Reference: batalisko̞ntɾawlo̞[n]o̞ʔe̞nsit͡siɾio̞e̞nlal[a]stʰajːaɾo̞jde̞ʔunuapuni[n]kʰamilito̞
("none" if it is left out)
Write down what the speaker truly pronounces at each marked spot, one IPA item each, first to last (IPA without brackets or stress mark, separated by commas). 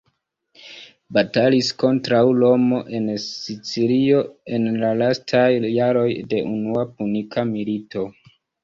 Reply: m, a, none